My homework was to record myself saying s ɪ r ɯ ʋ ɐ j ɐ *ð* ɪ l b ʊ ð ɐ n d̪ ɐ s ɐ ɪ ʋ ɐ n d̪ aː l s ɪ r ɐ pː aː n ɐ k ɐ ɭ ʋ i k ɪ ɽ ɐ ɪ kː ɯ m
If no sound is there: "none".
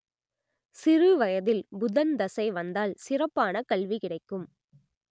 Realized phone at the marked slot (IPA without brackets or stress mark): ð